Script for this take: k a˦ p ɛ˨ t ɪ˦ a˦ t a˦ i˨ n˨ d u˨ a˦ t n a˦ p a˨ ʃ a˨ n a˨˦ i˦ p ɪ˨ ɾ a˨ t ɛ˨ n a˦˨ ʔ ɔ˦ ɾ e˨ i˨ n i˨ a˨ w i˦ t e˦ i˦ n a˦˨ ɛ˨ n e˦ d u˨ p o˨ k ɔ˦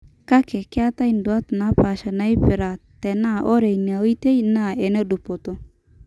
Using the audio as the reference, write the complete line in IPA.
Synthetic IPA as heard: k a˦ k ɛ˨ k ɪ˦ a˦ t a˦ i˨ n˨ d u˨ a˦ t n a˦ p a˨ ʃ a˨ n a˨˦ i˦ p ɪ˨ ɾ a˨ t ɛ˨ n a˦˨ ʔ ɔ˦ ɾ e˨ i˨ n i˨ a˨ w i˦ t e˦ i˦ n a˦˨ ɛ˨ n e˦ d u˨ p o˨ t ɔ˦